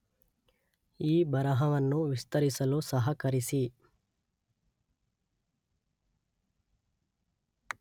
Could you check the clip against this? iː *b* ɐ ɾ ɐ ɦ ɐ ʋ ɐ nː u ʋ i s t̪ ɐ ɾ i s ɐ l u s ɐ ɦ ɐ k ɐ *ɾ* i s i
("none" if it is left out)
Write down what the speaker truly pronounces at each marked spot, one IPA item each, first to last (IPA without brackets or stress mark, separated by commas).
b, ɾ